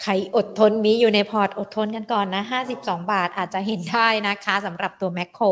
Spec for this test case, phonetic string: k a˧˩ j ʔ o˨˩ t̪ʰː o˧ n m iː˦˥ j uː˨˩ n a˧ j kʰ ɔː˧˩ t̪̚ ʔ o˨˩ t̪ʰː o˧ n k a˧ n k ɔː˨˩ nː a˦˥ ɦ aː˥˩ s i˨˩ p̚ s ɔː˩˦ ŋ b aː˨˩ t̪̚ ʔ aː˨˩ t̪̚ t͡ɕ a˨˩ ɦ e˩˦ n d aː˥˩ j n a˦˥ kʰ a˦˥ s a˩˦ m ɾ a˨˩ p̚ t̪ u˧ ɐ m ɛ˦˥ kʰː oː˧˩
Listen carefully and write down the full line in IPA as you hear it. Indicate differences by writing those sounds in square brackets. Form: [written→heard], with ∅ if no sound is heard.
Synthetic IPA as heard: [k→kʰ] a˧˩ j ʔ o˨˩ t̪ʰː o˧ n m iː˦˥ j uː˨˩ n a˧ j [kʰ→pʰ] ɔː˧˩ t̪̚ ʔ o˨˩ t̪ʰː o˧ n k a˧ n k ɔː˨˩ nː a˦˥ ɦ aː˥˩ s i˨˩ p̚ s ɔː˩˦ ŋ b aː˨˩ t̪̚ ʔ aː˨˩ t̪̚ t͡ɕ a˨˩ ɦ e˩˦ n d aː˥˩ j n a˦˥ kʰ a˦˥ s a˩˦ m ɾ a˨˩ p̚ t̪ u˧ ɐ m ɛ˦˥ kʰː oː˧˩